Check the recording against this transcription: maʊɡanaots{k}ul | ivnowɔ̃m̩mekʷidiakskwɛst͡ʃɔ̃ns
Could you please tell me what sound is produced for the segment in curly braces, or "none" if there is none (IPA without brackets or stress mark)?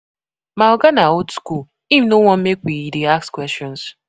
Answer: k